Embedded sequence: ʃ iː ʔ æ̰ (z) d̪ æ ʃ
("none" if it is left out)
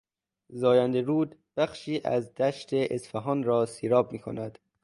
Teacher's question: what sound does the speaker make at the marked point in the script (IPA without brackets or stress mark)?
z